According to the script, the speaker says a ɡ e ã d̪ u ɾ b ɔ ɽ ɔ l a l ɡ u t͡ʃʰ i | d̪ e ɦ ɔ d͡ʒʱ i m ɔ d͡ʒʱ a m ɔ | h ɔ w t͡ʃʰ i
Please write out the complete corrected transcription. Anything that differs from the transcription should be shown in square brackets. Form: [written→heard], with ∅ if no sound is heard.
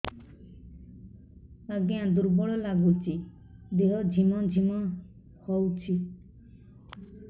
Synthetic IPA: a ɡ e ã d̪ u ɾ b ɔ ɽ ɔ l a [l→∅] ɡ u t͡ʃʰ i | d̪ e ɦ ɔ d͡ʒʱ i m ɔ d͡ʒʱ [a→i] m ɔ | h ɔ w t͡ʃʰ i